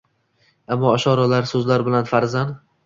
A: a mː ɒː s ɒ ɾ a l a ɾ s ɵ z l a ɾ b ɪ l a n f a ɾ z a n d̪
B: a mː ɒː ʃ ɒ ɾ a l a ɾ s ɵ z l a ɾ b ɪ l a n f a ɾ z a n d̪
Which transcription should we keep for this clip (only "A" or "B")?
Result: B